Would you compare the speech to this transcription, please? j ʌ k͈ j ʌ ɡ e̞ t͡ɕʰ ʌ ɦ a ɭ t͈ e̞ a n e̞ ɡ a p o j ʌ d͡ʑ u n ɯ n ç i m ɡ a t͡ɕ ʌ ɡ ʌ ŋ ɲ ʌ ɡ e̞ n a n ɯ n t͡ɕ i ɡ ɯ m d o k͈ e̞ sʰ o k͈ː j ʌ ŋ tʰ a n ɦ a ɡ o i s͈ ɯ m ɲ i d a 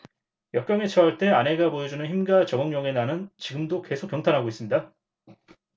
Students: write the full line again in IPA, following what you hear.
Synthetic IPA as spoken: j ʌ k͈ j ʌ ŋ e̞ t͡ɕʰ ʌ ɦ a ɭ t͈ e̞ a n e̞ ɡ a p o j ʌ d͡ʑ u n ɯ n ç i m ɡ a t͡ɕ ʌ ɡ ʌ ŋ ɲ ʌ ŋ e̞ n a n ɯ n t͡ɕ i ɡ ɯ m d o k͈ e̞ sʰ o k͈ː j ʌ ŋ tʰ a n ɦ a ɡ o i s͈ ɯ m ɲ i d a